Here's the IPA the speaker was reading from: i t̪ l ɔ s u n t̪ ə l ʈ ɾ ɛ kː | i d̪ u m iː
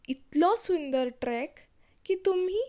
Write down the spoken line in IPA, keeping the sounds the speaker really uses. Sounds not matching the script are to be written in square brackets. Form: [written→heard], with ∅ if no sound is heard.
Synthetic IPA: i t̪ l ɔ s u n [t̪→d̪] ə [l→ɾ] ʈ ɾ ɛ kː | i [d̪→t̪] u m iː